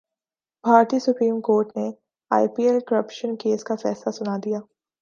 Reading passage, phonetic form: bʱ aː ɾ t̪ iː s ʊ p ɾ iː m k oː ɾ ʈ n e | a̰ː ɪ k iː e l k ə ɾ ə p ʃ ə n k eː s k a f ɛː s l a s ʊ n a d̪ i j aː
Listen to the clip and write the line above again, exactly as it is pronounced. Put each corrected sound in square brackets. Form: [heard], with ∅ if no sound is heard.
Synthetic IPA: bʱ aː ɾ t̪ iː s ʊ p ɾ iː m k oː ɾ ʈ n e | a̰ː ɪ [p] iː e l k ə ɾ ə p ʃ ə n k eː s k a f ɛː s l a s ʊ n a d̪ i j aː